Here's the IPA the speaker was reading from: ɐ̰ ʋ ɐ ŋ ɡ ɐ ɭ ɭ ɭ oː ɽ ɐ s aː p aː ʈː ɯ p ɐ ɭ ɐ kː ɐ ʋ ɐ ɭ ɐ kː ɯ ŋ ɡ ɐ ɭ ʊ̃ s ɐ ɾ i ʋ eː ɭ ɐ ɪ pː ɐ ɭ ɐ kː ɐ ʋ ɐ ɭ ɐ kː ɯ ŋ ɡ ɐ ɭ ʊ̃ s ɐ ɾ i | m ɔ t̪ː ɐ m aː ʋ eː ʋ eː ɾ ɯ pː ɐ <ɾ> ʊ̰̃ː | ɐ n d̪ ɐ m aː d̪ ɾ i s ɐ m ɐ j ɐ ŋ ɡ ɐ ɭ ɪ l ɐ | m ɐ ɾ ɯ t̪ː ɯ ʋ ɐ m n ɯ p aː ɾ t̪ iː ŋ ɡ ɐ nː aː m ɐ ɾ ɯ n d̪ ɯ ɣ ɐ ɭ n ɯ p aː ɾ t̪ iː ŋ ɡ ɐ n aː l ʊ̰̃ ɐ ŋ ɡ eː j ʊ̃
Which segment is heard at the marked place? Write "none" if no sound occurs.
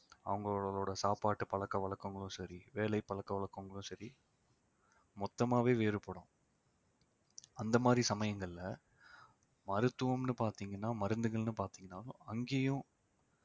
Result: ɽ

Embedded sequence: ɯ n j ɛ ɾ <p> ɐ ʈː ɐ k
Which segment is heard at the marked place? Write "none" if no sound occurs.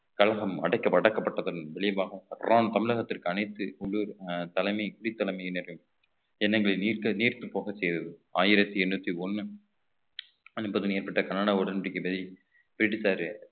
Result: p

